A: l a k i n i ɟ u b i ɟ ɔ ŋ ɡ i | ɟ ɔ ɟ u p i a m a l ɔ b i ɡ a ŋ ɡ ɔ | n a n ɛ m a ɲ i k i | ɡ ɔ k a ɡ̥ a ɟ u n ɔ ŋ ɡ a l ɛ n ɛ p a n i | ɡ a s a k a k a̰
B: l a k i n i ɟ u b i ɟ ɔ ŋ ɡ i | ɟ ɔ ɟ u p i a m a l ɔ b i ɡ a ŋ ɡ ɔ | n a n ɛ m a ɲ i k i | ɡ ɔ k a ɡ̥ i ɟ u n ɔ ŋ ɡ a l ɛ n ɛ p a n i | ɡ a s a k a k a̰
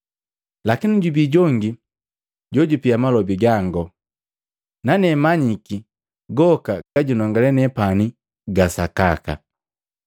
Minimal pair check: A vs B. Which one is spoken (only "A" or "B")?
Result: A